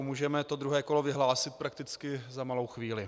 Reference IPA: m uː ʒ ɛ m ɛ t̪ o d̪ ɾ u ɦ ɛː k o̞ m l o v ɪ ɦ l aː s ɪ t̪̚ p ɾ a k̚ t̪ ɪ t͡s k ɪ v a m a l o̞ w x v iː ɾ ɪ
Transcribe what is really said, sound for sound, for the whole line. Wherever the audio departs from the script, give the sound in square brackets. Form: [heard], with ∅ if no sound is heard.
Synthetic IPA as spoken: m uː ʒ ɛ m ɛ t̪ o d̪ ɾ u ɦ ɛː k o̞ [∅] l o v ɪ ɦ l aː s ɪ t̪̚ p ɾ a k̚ t̪ ɪ t͡s k ɪ [z] a m a l o̞ w x v iː [l] ɪ